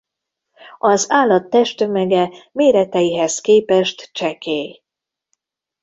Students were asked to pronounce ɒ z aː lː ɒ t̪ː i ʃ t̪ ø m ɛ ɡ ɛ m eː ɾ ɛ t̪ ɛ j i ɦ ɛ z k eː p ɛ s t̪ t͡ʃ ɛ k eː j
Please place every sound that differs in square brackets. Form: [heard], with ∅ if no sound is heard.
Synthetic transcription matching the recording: ɒ z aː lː ɒ t̪ː [ɛ] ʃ t̪ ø m ɛ ɡ ɛ m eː ɾ ɛ t̪ ɛ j i ɦ ɛ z k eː p ɛ [ʃ] t̪ t͡ʃ ɛ k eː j